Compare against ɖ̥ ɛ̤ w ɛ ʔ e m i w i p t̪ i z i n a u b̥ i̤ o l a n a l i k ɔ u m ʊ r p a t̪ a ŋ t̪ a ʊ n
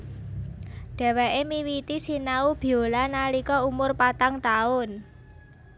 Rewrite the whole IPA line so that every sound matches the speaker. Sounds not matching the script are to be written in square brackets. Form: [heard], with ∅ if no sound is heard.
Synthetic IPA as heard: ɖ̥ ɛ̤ w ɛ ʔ e m i w i [∅] t̪ i [s] i n a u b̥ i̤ o l a n a l i k ɔ u m ʊ r p a t̪ a ŋ t̪ a ʊ n